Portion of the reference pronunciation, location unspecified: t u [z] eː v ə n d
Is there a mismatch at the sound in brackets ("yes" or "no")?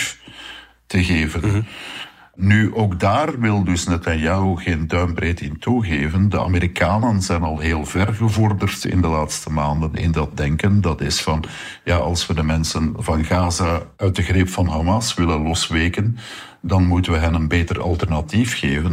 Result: yes